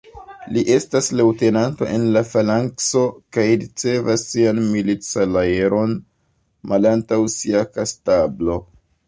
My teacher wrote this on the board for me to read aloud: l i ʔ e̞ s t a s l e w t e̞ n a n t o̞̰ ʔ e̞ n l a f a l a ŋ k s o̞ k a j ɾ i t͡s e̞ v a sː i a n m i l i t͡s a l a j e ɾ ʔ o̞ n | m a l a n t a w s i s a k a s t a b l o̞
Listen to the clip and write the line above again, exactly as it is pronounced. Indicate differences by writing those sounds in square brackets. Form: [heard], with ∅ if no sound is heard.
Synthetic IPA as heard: l i ʔ e̞ s t a s l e w t e̞ n a n t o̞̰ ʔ e̞ n l a f a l a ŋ k s o̞ k a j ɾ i t͡s e̞ v a sː i a n m i l i t͡s a l a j e ɾ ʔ o̞ n | m a l a n t a w s i [∅] a k a s t a b l o̞